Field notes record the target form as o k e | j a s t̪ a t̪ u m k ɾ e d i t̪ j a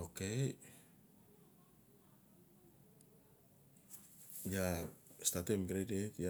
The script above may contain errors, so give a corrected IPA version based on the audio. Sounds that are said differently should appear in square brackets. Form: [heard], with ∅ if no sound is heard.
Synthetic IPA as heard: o k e | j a s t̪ a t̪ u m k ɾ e d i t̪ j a